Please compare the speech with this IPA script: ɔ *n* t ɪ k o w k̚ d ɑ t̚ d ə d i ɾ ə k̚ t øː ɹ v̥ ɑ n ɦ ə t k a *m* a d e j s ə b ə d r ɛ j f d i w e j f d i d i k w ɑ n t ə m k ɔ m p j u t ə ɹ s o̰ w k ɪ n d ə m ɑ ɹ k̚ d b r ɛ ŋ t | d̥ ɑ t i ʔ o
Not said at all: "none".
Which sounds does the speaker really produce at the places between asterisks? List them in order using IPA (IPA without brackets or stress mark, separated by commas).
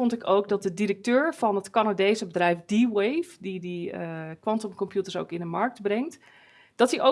n, n